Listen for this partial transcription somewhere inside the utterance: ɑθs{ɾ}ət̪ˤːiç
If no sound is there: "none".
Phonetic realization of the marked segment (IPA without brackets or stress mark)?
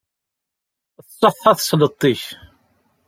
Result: l